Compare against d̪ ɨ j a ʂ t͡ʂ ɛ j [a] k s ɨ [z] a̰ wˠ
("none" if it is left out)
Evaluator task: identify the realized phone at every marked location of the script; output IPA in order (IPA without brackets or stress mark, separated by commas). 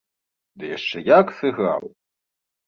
a, ɣ